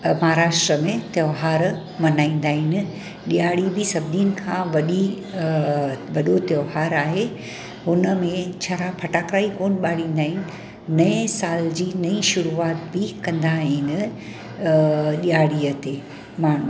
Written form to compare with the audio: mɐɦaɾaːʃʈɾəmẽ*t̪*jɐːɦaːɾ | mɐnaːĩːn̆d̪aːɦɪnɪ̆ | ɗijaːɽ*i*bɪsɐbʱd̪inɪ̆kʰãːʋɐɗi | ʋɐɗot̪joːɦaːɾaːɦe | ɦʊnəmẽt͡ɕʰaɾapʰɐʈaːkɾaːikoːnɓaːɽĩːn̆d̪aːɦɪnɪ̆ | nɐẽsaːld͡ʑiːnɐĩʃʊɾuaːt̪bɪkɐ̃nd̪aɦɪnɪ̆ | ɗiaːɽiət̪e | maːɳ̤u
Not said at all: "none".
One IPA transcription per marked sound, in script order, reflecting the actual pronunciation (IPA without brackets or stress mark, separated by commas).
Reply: t̪, i